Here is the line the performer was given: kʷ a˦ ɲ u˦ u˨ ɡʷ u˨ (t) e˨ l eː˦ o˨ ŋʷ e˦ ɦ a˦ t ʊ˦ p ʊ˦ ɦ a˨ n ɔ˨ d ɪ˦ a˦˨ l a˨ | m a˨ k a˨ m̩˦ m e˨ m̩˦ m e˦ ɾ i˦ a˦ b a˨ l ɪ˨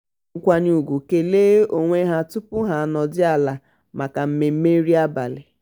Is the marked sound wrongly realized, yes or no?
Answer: yes